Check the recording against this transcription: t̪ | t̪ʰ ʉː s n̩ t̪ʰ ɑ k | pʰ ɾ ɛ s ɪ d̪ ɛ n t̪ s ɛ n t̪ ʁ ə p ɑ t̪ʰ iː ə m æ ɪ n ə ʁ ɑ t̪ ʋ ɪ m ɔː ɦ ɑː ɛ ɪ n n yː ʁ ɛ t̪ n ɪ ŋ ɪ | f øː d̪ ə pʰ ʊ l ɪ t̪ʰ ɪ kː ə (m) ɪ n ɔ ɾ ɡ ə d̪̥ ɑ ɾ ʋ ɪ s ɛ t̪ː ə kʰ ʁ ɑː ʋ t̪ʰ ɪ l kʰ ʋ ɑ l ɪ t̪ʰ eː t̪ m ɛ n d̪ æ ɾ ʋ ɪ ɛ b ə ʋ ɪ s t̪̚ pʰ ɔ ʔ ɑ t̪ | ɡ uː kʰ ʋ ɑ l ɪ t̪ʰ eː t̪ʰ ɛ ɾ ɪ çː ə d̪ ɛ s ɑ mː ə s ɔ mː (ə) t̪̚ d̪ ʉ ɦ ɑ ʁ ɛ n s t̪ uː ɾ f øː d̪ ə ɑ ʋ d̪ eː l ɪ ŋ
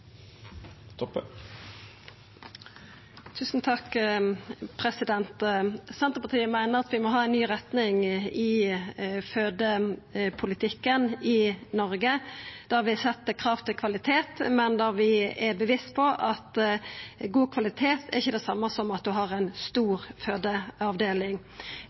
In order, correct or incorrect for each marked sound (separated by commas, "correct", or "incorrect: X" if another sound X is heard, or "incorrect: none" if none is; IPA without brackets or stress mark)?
incorrect: n, incorrect: ɑ